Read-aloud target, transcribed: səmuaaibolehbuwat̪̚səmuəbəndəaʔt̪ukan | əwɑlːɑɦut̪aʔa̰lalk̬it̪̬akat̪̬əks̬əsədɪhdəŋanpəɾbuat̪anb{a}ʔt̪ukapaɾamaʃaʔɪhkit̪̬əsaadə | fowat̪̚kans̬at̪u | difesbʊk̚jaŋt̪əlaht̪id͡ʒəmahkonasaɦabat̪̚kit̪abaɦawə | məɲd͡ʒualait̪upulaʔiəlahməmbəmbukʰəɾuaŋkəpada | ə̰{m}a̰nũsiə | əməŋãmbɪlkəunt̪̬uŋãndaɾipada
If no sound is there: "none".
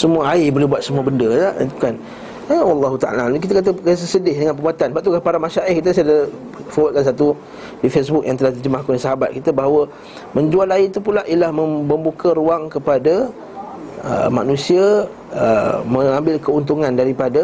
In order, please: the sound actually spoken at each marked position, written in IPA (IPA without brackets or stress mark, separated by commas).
a, m